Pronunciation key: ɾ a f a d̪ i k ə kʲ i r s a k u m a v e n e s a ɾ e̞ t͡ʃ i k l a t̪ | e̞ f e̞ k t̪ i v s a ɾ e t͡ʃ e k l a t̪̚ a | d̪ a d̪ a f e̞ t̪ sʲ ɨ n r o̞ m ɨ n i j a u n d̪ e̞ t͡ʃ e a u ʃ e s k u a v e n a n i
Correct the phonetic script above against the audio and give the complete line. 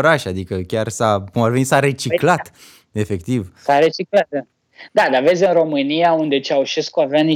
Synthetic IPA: ɾ a ʃ a d̪ i k ə kʲ a r s a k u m a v e n i s a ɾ e̞ t͡ʃ i k l a t̪ | e̞ f e̞ k t̪ i v s a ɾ e t͡ʃ i k l a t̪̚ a | d̪ a d̪ a v e̞ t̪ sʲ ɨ n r o̞ m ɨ n i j a u n d̪ e̞ t͡ʃ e a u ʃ e s k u a v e a n i